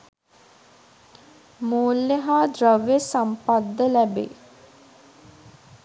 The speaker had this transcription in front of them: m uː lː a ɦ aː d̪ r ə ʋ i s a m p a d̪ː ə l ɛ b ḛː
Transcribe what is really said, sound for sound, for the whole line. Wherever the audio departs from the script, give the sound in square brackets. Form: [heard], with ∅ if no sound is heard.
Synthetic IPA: m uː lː [e] ɦ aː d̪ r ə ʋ [e] s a m p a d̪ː ə l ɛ b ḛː